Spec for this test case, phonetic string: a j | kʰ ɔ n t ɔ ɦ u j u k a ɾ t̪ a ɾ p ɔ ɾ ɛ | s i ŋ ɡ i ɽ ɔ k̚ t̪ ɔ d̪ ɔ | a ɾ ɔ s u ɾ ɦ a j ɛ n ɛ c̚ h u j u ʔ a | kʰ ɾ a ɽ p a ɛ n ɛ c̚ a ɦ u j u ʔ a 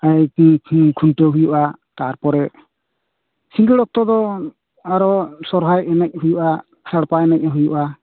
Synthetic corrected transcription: a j | kʰ u n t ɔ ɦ u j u ʔ a t̪ a ɾ p ɔ ɾ ɛ | s i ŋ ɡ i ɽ ɔ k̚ t̪ ɔ d̪ ɔ | a ɾ ɔ s ɔ ɾ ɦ a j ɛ n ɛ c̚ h u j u ʔ a | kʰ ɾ a ɽ p a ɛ n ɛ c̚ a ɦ u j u ʔ a